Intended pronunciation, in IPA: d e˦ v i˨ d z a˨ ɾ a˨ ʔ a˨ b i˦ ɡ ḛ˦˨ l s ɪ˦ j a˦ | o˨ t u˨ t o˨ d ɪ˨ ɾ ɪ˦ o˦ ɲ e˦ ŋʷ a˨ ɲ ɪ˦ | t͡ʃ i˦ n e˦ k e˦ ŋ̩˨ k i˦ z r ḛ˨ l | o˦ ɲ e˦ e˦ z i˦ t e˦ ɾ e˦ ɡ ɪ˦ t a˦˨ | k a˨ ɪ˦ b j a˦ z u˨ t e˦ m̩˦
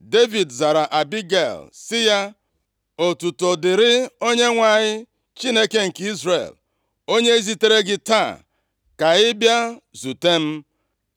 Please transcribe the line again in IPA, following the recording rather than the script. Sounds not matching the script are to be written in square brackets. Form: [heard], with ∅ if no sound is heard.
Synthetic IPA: d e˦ v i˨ d z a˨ ɾ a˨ ʔ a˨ b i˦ ɡ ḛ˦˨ l s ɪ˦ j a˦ | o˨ t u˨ t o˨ d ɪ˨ ɾ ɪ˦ o˦ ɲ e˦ ŋʷ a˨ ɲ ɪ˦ | t͡ʃ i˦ n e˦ k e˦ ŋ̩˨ k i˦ z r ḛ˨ l | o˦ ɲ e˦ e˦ z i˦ t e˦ ɾ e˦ ɡ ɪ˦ t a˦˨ | k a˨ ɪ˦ b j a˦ z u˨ t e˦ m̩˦